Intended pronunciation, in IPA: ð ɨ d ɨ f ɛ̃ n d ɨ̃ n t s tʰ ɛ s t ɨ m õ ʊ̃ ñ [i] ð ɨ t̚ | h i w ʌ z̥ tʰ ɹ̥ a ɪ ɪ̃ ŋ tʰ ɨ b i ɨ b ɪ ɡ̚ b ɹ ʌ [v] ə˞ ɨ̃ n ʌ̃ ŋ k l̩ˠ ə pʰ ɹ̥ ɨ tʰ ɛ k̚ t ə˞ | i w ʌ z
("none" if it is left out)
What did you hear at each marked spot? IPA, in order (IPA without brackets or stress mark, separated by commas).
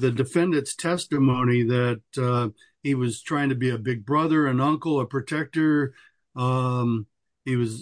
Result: i, ð